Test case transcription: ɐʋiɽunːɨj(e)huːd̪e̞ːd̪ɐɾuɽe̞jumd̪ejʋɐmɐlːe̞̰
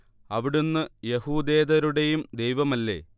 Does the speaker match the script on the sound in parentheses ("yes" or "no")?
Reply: yes